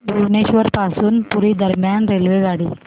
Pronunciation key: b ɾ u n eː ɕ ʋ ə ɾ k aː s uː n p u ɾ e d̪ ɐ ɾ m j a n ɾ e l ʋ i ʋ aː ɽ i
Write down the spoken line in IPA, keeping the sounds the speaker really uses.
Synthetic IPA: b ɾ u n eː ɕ ʋ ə ɾ p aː s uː n p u ɾ i d̪ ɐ ɾ m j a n ɾ e l ʋ e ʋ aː ɽ i